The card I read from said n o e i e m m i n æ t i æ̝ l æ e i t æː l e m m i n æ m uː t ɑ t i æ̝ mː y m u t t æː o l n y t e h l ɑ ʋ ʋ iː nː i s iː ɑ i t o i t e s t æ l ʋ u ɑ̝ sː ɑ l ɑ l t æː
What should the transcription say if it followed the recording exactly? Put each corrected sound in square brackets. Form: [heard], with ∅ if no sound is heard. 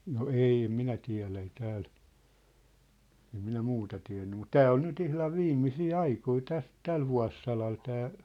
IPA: n o e i e m m i n æ t i æ̝ l æ e i t æː l e m m i n æ m uː t ɑ t i æ̝ [nː] y m u t t æː o l n y t [i] h l ɑ ʋ ʋ iː [mː] i s iː ɑ i [k] o i t [æ] s t æ l ʋ u ɑ̝ sː ɑ l ɑ l t æː